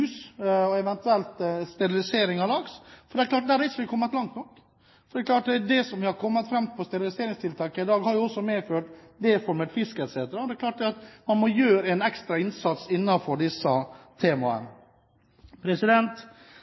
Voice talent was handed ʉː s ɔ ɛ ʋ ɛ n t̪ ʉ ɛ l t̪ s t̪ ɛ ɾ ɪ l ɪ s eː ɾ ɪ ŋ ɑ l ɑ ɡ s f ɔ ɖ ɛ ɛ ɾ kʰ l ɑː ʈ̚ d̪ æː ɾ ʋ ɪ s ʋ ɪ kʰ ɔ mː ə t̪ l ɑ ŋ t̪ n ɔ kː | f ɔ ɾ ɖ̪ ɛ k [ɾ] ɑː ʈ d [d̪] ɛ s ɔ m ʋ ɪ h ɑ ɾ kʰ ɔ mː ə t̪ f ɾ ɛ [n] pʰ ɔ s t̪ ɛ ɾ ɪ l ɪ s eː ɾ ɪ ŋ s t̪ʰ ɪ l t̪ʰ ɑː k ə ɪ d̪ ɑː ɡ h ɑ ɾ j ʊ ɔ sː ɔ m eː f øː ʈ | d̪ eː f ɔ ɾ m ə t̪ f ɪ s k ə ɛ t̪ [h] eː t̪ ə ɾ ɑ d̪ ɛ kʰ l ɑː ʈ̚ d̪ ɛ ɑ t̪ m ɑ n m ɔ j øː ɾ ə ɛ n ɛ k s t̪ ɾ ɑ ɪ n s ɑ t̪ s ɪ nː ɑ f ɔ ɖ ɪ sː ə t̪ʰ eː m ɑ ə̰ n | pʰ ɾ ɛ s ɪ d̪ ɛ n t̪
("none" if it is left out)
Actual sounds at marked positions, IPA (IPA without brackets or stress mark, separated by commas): l, d̪, m, s